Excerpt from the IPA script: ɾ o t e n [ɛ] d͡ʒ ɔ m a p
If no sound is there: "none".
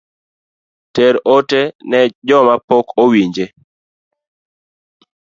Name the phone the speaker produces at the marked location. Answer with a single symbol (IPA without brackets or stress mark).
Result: ɛ